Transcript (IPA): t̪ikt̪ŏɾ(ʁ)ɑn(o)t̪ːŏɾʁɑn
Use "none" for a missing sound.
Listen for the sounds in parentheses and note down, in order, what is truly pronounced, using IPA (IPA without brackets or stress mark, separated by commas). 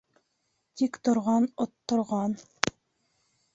ʁ, o